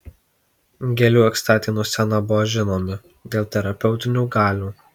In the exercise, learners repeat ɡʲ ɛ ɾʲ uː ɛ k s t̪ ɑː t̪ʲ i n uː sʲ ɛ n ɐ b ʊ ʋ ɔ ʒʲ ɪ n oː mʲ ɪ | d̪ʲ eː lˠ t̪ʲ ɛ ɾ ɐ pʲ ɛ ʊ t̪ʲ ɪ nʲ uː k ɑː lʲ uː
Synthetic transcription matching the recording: ɡʲ ɛ lʲ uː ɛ k s t̪ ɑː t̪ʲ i n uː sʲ ɛ n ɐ b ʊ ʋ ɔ ʒʲ ɪ n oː mʲ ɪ | d̪ʲ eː lˠ t̪ʲ ɛ ɾ ɐ pʲ ɛ ʊ t̪ʲ ɪ nʲ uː ɡ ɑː lʲ uː

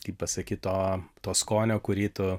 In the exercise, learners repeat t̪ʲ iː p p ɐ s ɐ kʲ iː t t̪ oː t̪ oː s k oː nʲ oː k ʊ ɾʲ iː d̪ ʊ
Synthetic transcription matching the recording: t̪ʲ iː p p ɐ s ɐ kʲ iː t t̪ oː t̪ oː s k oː nʲ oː k ʊ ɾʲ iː t̪ ʊ

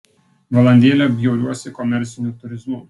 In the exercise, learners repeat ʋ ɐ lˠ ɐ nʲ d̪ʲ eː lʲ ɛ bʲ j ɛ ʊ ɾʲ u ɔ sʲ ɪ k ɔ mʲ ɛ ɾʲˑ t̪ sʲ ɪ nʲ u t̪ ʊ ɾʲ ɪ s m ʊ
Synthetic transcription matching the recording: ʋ ɐ lˠ ɐ nʲ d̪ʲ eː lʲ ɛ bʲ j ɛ ʊ ɾʲ u ɔ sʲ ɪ k ɔ mʲ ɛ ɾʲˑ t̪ sʲ ɪ nʲ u t̪ ʊ ɾʲ ɪ z m ʊ

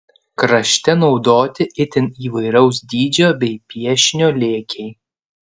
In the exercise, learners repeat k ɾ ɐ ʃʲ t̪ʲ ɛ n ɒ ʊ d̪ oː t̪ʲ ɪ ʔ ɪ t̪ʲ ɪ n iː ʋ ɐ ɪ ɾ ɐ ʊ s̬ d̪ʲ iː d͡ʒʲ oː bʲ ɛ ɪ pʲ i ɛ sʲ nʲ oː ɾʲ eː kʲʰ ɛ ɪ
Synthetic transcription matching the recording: k ɾ ɐ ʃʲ t̪ʲ ɛ n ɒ ʊ d̪ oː t̪ʲ ɪ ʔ ɪ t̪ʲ ɪ n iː ʋ ɐ ɪ ɾ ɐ ʊ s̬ d̪ʲ iː d͡ʒʲ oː bʲ ɛ ɪ pʲ i ɛ ʃʲ nʲ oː lʲ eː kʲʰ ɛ ɪ

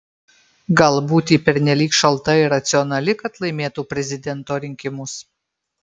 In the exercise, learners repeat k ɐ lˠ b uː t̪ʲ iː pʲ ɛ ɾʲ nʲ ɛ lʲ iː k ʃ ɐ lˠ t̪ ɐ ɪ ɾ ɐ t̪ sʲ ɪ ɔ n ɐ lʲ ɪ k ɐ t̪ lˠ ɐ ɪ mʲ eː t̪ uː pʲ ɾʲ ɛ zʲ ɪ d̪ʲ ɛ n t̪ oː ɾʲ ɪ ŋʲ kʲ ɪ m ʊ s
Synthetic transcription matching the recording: ɡ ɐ lˠ b uː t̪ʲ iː pʲ ɛ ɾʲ nʲ ɛ lʲ iː k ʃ ɐ lˠ t̪ ɐ ɪ ɾ ɐ t̪ sʲ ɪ ɔ n ɐ lʲ ɪ k ɐ t̪ lˠ ɐ ɪ mʲ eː t̪ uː pʲ ɾʲ ɛ zʲ ɪ d̪ʲ ɛ n t̪ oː ɾʲ ɪ ŋʲ kʲ ɪ m ʊ s

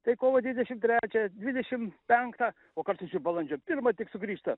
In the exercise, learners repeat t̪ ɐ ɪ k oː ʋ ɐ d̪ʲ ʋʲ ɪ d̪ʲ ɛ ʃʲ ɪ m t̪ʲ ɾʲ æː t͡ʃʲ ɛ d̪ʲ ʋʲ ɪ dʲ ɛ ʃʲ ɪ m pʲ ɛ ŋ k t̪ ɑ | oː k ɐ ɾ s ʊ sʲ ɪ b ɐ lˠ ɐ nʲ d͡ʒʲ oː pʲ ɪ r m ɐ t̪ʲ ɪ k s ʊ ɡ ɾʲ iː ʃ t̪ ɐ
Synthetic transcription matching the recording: t̪ ɐ ɪ k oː ʋ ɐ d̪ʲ ʋʲ ɪ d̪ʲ ɛ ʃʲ ɪ m t̪ʲ ɾʲ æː t͡ʃʲ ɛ d̪ʲ ʋʲ ɪ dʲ ɛ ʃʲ ɪ m pʲ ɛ ŋ k t̪ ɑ | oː k ɐ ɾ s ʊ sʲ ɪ b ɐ lˠ ɐ nʲ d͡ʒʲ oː pʲ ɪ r m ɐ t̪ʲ ɪ k s ʊ ɡ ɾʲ iː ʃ t̪ ɐ

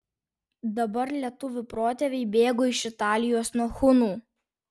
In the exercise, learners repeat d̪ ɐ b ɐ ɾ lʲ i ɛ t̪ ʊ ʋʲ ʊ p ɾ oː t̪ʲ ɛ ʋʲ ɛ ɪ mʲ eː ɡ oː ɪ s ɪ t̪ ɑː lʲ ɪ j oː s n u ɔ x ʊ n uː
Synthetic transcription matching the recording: d̪ ɐ b ɐ ɾ lʲ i ɛ t̪ ʊ ʋʲ ʊ p ɾ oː t̪ʲ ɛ ʋʲ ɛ ɪ bʲ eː ɡ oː ɪ ʃ ɪ t̪ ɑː lʲ ɪ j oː s n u ɔ x ʊ n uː

